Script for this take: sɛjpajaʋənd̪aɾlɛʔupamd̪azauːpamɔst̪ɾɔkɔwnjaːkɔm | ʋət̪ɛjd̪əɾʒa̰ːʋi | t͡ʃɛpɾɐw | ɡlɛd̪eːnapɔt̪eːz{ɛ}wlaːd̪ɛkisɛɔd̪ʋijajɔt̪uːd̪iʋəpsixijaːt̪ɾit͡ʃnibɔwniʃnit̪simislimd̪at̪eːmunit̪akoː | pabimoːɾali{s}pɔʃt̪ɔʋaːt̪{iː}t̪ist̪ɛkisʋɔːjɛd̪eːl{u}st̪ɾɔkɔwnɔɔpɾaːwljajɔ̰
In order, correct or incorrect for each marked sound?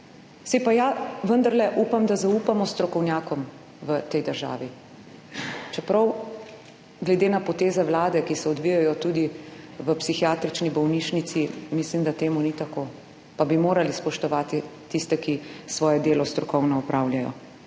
correct, correct, incorrect, incorrect

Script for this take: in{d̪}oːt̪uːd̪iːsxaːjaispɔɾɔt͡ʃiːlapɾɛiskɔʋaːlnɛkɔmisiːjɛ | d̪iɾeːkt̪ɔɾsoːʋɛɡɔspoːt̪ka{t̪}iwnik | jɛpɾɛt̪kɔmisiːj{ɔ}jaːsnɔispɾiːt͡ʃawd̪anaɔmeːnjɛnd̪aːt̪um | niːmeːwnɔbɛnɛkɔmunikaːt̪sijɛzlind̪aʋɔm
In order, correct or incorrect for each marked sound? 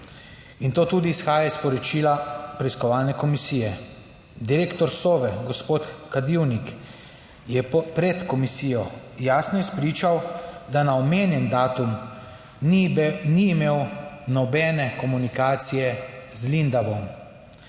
incorrect, incorrect, correct

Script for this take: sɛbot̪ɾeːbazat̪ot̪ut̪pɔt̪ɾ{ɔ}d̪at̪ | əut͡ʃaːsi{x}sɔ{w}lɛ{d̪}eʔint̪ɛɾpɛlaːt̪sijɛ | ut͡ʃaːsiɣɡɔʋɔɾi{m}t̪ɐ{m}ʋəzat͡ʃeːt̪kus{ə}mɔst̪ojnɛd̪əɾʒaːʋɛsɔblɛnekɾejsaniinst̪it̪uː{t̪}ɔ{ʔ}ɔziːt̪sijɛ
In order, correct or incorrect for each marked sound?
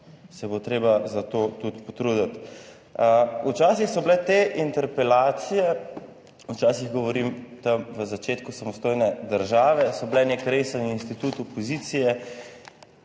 incorrect, correct, incorrect, incorrect, correct, correct, incorrect, correct, incorrect

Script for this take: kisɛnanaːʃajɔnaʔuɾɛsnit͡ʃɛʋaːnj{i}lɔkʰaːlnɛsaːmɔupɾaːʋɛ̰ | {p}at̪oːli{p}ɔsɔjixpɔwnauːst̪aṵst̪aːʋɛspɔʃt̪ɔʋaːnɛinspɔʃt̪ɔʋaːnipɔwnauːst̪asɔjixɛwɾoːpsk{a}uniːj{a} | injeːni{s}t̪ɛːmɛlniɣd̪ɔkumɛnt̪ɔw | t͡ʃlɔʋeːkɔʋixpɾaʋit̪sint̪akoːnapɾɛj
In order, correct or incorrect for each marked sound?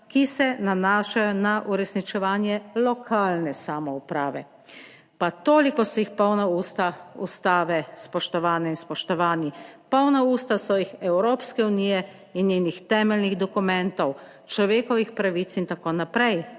incorrect, correct, incorrect, incorrect, incorrect, incorrect

